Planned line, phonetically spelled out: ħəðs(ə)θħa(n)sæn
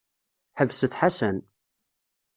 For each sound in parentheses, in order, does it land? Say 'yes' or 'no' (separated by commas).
yes, no